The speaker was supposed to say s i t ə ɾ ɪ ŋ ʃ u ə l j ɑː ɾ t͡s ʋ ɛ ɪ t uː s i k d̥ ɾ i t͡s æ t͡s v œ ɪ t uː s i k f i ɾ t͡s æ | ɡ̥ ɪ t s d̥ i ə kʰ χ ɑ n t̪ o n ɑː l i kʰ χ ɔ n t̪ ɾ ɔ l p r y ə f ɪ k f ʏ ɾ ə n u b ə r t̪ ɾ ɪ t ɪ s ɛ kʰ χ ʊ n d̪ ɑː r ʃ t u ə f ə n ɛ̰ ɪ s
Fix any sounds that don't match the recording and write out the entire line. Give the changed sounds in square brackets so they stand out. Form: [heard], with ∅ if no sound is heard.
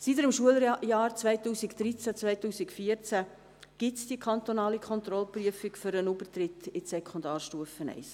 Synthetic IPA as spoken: s i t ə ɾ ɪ [m] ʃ u ə l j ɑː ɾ t͡s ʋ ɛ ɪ t uː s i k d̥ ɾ i t͡s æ t͡s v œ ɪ t uː s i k f i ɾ t͡s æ | ɡ̥ ɪ t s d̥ i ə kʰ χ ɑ n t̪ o n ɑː l i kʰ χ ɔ n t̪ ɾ ɔ l p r y ə f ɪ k f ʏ ɾ ə n u b ə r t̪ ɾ ɪ t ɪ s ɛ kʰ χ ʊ n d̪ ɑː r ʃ t u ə f ə n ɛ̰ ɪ s